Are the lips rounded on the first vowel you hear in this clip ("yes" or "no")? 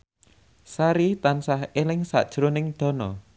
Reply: no